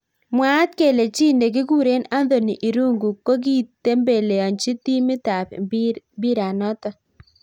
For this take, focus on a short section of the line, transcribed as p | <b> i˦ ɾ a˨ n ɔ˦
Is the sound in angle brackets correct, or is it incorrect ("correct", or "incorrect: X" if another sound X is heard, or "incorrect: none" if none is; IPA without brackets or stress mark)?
correct